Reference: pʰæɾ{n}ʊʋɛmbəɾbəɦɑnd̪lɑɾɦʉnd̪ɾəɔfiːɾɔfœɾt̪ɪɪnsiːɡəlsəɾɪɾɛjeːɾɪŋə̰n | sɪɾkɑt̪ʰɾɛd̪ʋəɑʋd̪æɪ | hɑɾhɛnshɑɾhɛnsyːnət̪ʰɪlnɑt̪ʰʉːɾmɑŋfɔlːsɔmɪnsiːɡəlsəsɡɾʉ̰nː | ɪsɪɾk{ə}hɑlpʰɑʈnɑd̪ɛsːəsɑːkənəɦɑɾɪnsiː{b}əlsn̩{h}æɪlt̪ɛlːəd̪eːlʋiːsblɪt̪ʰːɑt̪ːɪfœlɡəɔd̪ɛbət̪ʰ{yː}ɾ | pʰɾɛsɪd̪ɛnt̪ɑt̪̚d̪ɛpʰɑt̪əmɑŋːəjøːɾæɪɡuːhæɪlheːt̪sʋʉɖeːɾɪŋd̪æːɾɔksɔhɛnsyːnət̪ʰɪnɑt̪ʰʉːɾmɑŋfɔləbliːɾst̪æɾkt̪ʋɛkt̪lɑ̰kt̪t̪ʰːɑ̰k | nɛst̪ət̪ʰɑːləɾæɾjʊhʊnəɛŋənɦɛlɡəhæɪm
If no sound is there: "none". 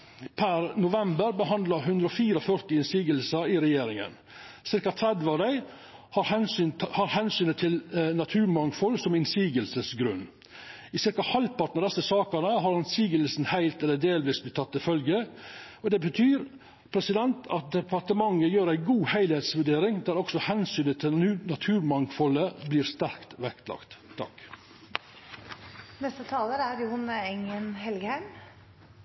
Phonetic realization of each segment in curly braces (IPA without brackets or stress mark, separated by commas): n, ɑ, ɡ, h, yː